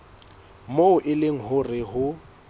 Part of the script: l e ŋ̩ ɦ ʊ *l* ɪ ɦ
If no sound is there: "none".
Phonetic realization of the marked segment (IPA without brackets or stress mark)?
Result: r